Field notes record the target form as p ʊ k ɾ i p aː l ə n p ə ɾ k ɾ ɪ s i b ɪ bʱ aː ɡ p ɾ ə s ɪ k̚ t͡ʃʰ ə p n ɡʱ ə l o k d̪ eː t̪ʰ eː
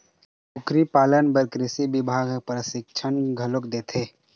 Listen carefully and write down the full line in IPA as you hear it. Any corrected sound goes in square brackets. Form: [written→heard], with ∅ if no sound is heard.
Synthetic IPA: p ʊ k ɾ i p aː l ə n [p→b] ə ɾ k ɾ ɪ s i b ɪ bʱ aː ɡ p ɾ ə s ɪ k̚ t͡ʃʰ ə [p→∅] n ɡʱ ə l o k d̪ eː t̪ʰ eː